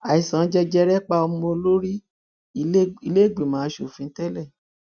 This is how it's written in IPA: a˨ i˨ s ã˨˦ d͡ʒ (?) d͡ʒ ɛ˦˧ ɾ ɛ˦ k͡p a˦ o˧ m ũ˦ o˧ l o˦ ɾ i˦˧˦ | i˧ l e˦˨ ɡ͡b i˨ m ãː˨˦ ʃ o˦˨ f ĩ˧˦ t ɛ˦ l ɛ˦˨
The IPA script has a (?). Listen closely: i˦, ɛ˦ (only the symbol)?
ɛ˦